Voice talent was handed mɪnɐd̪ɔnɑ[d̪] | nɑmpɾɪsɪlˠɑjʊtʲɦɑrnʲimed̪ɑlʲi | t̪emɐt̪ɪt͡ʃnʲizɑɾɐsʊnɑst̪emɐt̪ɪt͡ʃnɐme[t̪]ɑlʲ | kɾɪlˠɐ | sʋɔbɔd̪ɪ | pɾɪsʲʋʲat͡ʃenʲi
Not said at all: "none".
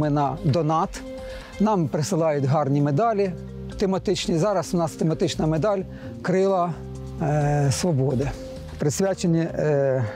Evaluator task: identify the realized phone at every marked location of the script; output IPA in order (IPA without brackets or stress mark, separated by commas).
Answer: t̪, d̪